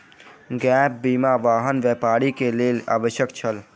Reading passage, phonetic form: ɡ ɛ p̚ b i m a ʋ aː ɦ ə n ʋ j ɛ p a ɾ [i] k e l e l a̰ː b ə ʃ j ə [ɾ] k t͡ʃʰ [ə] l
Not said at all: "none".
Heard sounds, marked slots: i, none, ə

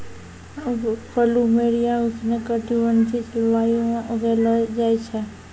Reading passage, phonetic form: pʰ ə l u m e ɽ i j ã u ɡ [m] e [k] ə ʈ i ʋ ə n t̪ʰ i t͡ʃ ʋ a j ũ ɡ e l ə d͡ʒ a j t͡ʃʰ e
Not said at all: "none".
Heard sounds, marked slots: n, k

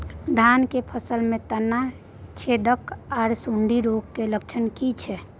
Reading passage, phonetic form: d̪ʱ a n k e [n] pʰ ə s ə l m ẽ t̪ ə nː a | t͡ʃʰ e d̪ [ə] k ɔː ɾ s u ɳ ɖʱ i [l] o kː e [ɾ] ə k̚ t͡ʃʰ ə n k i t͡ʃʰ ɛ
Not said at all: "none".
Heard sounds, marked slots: none, ə, ɾ, l

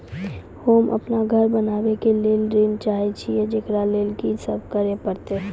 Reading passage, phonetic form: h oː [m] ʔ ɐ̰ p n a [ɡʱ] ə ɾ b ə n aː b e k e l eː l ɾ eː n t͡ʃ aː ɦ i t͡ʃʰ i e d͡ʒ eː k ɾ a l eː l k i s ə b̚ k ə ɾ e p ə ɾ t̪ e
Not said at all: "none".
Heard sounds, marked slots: m, ɡʱ

